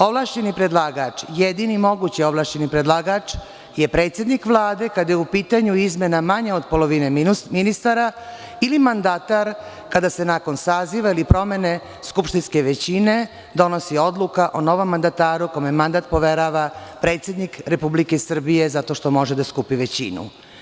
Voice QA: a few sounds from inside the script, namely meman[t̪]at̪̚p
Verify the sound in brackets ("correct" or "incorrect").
incorrect